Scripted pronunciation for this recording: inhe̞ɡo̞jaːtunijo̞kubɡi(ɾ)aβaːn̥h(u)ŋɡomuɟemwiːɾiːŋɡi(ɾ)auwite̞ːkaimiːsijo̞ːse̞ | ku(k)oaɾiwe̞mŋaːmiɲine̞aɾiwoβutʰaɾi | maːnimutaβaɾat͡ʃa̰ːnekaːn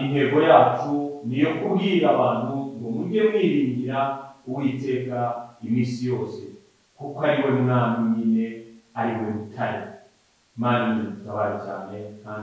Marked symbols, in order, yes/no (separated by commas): yes, yes, yes, yes